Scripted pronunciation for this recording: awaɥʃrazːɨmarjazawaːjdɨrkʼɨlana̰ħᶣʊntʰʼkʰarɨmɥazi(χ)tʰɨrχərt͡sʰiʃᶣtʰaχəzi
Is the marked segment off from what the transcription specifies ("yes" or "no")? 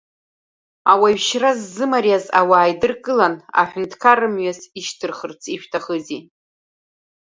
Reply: yes